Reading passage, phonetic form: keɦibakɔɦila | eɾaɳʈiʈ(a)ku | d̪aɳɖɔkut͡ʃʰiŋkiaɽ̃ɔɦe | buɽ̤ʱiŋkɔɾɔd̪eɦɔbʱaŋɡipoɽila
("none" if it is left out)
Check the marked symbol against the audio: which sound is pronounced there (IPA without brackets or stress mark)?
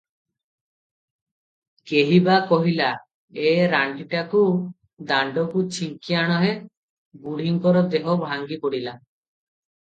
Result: a